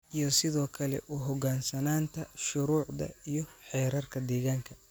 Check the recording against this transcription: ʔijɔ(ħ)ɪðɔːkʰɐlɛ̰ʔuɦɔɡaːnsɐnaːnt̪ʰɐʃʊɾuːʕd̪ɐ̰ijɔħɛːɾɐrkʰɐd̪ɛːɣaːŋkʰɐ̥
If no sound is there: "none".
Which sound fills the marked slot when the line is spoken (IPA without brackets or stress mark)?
s